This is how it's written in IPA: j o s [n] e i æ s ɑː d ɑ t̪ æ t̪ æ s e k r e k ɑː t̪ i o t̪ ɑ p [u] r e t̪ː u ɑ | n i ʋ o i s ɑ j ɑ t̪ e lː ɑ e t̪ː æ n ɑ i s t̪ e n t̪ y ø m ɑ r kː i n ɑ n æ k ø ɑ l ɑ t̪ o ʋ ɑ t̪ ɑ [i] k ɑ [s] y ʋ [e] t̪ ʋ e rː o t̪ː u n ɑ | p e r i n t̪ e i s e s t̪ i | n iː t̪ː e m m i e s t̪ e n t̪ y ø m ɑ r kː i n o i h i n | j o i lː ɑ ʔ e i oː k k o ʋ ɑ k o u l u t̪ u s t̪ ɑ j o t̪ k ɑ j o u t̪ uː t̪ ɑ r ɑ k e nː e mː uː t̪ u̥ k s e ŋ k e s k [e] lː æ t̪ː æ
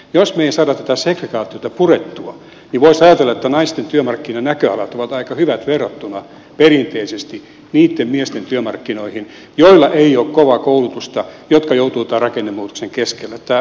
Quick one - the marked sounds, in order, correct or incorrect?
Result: incorrect, correct, correct, incorrect, incorrect, correct

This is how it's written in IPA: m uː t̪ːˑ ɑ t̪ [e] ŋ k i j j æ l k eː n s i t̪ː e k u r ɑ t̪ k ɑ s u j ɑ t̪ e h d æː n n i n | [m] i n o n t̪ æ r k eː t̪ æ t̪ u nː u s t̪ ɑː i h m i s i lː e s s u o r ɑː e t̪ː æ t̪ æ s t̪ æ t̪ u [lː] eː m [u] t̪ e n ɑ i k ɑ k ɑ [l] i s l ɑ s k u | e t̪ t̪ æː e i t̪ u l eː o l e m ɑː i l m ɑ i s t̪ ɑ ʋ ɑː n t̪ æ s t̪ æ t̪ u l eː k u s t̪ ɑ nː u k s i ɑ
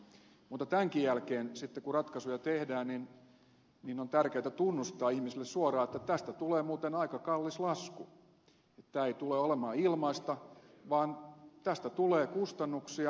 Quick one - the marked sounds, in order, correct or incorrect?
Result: incorrect, incorrect, incorrect, incorrect, incorrect

